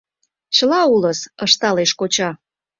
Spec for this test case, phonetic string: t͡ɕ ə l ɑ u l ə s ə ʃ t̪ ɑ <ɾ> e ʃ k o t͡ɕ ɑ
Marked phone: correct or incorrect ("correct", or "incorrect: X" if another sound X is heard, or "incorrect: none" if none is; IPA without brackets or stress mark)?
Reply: incorrect: l